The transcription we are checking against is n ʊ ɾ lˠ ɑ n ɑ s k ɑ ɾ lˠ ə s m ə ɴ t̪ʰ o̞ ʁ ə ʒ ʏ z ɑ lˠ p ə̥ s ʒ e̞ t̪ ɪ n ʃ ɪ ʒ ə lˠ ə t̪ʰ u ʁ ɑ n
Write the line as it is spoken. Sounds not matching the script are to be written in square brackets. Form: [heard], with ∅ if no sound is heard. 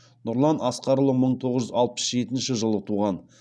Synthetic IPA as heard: n ʊ ɾ lˠ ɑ n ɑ s [q] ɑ ɾ lˠ ə [∅] m ə ɴ t̪ʰ o̞ ʁ ə ʒ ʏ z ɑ lˠ p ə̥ s ʒ e̞ t̪ ɪ n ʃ ɪ ʒ ə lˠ ə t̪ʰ u ʁ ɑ n